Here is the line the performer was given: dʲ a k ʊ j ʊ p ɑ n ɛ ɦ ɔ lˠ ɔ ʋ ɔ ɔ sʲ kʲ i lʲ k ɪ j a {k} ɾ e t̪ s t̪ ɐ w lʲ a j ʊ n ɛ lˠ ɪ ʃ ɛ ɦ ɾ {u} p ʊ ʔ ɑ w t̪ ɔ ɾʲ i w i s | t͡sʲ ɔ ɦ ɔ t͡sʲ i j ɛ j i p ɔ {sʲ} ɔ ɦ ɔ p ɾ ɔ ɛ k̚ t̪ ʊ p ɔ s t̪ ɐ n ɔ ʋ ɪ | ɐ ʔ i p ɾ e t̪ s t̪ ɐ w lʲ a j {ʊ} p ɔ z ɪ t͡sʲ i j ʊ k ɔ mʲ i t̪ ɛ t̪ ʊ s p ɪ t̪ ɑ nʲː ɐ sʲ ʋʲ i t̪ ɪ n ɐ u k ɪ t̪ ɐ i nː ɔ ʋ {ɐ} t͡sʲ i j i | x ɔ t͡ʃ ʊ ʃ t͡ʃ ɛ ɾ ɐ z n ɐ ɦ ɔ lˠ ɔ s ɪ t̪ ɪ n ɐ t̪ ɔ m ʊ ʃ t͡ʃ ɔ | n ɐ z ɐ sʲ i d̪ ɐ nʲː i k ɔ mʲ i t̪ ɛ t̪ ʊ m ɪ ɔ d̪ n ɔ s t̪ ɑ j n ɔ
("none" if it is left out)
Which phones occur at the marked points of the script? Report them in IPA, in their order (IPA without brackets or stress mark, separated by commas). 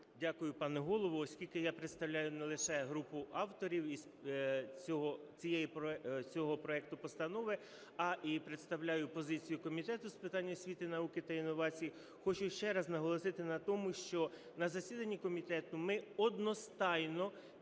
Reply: p, u, t͡sʲ, ʊ, ɑ